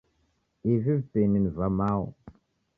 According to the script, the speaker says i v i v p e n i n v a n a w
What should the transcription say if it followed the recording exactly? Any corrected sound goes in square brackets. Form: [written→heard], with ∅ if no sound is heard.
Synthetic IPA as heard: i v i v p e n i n v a [n→m] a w